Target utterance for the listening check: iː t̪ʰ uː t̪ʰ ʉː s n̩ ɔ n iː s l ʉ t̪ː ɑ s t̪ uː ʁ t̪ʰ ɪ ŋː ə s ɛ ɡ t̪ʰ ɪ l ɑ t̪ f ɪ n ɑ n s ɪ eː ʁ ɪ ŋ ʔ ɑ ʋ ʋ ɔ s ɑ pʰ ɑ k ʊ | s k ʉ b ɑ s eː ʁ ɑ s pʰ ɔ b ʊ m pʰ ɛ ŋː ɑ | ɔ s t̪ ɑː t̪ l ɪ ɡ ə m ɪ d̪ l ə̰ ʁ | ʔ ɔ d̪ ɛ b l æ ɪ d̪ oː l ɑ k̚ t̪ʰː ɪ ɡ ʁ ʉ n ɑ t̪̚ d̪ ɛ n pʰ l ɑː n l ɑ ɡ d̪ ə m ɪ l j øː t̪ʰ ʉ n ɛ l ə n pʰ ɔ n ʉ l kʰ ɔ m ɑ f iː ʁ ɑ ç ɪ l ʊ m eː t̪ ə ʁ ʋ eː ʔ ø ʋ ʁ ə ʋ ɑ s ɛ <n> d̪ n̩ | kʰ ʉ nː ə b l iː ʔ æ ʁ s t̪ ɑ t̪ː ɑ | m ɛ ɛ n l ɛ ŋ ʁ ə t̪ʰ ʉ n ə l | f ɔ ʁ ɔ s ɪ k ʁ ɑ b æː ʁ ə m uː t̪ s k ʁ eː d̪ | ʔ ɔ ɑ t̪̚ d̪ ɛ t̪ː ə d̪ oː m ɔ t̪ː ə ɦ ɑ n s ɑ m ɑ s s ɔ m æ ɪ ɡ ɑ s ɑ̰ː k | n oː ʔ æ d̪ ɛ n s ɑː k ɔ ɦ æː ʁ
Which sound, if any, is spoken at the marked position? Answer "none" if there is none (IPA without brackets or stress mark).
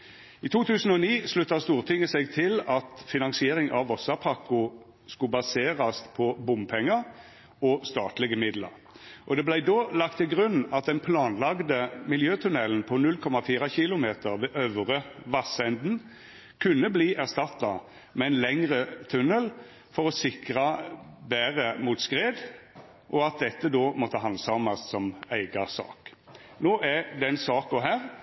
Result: n